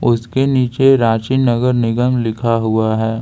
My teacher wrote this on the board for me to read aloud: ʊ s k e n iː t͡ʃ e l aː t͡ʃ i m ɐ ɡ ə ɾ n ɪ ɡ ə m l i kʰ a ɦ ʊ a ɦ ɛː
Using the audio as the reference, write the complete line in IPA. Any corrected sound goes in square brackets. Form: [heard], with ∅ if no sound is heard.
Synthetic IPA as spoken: ʊ s k e n iː t͡ʃ e [ɾ] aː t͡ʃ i [n] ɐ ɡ ə ɾ n ɪ ɡ ə m l [ɪ] kʰ a ɦ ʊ a ɦ ɛː